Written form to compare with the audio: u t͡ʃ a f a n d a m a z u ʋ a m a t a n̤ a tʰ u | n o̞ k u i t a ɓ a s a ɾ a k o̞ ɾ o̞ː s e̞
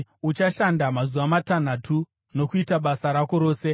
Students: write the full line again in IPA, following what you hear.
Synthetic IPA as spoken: u t͡ʃ a ʃ a n d a m a z u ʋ a m a t a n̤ a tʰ u | n o̞ k u i t a ɓ a s a ɾ a k o̞ ɾ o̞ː s e̞

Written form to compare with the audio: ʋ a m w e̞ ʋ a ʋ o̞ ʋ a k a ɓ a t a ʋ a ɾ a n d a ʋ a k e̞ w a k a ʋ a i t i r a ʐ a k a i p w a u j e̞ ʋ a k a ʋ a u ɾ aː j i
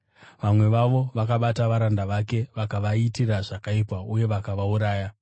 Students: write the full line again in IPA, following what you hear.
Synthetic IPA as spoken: ʋ a m w e̞ ʋ a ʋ o̞ ʋ a k a ɓ a t a ʋ a ɾ a n d a ʋ a k e̞ ʋ a k a ʋ a i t i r a ʐ a k a i p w a u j e̞ ʋ a k a ʋ a u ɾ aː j a

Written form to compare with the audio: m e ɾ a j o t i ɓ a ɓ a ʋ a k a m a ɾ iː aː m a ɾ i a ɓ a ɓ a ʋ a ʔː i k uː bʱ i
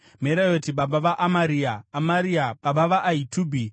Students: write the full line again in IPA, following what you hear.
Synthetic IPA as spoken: m e ɾ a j o t i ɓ a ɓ a ʋ a ʔ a m a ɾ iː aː m a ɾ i a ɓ a ɓ a ʋ a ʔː i t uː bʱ i

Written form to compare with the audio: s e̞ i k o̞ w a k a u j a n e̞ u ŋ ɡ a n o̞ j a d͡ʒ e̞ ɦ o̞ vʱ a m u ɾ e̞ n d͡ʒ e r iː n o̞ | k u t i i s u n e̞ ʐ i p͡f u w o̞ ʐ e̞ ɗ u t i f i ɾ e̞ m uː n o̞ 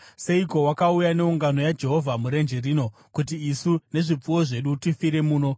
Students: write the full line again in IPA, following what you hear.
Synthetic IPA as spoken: s e̞ i k o̞ w a k a u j a n e̞ u ŋ ɡ a n o̞ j a d͡ʒ e̞ ɦ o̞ vʱ a m u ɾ e̞ n d͡ʒ e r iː n o̞ | k u t i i s u n e̞ ʐ i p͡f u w o̞ ʐ e̞ ɗ u t i f i ɾ e̞ m uː n o̞

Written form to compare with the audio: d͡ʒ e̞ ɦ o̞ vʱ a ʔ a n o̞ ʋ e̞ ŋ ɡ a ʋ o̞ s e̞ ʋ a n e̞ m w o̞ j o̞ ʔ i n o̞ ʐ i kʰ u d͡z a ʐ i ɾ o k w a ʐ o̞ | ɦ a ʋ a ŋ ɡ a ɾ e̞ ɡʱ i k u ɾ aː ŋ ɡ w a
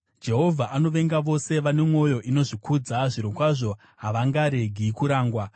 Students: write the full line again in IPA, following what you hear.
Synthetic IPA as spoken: d͡ʒ e̞ ɦ o̞ vʱ a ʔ a n o̞ ʋ e̞ ŋ ɡ a ʋ o̞ s e̞ ʋ a n e̞ m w o̞ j o̞ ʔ i n o̞ ʐ i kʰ u d͡z a ʐ i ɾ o k w a ʐ o̞ | ɦ a ʋ a ŋ ɡ a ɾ e̞ ɡʱ i k u ɾ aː ŋ ɡ w a

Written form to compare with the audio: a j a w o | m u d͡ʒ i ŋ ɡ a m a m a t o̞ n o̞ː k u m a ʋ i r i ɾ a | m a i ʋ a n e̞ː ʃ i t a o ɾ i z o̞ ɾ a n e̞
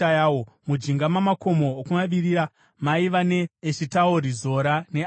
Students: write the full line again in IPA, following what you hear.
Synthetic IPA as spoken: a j a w o | m u d͡ʒ i ŋ ɡ a m a m a k o̞ m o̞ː k u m a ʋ i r i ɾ a | m a i ʋ a n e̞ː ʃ i t a o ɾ i z o̞ ɾ a n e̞

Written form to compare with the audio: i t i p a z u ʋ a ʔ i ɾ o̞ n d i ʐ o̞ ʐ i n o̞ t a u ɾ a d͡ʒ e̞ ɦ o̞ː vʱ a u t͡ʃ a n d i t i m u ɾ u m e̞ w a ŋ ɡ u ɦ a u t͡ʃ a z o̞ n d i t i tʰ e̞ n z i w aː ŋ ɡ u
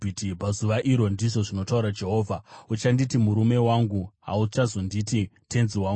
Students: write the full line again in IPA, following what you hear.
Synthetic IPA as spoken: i t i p a z u ʋ a ʔ i ɾ o̞ n d i ʐ o̞ ʐ i n o̞ t a u ɾ a d͡ʒ e̞ ɦ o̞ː vʱ a u t͡ʃ a n d i t i m u ɾ u m e̞ w a ŋ ɡ u ɦ a u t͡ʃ a z o̞ n d i t i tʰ e̞ n z i w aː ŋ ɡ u

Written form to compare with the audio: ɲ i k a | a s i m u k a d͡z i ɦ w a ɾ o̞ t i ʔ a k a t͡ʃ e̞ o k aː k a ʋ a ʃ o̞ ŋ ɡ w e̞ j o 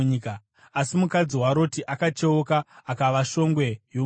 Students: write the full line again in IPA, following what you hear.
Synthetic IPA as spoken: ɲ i k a | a s i m u k a d͡z i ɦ w a ɾ o̞ t i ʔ a k a t͡ʃ e̞ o k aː k a ʋ a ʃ o̞ ŋ ɡ w e̞ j o

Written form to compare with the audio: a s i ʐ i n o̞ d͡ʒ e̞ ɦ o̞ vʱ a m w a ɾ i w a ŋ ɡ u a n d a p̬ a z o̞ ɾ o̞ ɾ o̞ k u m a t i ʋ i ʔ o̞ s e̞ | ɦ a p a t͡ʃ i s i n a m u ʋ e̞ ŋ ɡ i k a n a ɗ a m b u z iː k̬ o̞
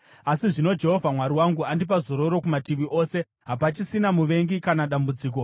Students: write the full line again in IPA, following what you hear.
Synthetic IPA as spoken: a s i ʐ i n o̞ d͡ʒ e̞ ɦ o̞ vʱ a m w a ɾ i w a ŋ ɡ u a n d i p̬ a z o̞ ɾ o̞ ɾ o̞ k u m a t i ʋ i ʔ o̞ s e̞ | ɦ a p a t͡ʃ i s i n a m u ʋ e̞ ŋ ɡ i k a n a ɗ a m b u d͡z iː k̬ o̞

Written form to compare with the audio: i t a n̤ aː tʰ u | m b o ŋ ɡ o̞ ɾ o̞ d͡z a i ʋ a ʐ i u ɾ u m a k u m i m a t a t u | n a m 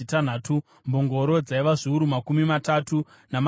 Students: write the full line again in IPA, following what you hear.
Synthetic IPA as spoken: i t a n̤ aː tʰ u | m b o ŋ ɡ o̞ ɾ o̞ d͡z a i ʋ a ʐ i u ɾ u m a k u m i m a t a t u | n a m

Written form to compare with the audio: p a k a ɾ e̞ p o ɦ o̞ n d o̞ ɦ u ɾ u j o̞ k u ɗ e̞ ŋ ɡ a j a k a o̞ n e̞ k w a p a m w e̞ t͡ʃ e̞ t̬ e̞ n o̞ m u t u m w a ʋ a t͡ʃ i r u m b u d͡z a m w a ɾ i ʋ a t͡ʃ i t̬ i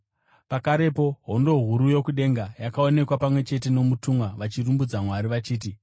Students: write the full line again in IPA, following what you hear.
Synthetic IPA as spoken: p a k a ɾ e̞ p o ɦ o̞ n d o̞ ɦ u ɾ u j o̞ k u ɗ e̞ ŋ ɡ a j a k a o̞ n e̞ k w a p a m w e̞ t͡ʃ e̞ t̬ e̞ n o̞ m u t u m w a ʋ a t͡ʃ i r u m b u d͡z a m w a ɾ i ʋ a t͡ʃ iː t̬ i

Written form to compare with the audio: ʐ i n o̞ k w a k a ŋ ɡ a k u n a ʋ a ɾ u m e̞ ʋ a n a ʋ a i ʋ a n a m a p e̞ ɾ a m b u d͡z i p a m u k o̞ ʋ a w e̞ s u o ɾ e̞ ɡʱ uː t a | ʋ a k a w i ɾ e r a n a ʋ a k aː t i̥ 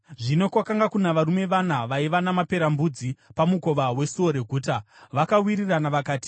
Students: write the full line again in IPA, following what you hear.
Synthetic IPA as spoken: ʐ i n o̞ k w a k a ŋ ɡ a k u n a ʋ a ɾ u m e̞ ʋ a n a ʋ a i ʋ a n a m a p e̞ ɾ a m b u d͡z i p a m u k o̞ ʋ a w e̞ s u o ɾ e̞ ɡʱ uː t a | ʋ a k a w i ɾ i r a n a ʋ a k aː t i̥

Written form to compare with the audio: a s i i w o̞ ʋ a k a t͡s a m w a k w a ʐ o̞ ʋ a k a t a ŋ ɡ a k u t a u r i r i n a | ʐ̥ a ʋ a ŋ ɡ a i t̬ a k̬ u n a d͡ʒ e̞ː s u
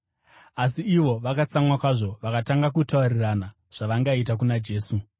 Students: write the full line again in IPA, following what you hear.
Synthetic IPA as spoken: a s i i ʋ o̞ ʋ a k a t͡s a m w a k w a ʐ o̞ ʋ a k a t a ŋ ɡ a k u t a u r i r a n a | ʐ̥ a ʋ a ŋ ɡ a i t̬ a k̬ u n a d͡ʒ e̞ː s u

